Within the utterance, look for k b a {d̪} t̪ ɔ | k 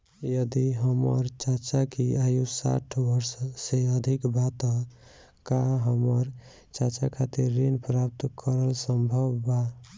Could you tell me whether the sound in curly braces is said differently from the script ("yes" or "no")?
yes